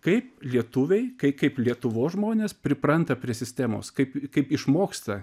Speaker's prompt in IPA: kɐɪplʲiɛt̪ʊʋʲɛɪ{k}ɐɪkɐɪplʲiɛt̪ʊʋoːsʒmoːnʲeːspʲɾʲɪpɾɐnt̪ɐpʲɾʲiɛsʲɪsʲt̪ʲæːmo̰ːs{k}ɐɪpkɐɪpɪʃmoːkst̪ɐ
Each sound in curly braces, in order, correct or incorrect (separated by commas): correct, correct